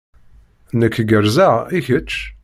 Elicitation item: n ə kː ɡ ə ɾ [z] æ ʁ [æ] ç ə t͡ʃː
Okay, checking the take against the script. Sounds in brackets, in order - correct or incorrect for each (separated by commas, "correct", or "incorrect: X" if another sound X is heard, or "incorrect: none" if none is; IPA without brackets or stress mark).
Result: correct, incorrect: i